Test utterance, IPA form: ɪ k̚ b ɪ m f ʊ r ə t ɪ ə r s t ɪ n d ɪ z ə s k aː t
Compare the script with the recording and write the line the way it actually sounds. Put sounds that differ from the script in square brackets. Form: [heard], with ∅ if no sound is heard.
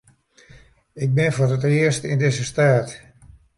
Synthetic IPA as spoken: ɪ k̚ b ɪ [n] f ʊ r ə t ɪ ə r s t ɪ n d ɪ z ə s [t] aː t